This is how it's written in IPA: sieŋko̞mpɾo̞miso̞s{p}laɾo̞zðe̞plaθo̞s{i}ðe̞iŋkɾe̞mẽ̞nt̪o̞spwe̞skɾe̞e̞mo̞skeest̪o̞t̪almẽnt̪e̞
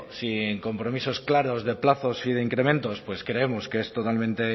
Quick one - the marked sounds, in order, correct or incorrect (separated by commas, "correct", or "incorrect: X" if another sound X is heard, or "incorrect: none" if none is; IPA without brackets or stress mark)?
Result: incorrect: k, correct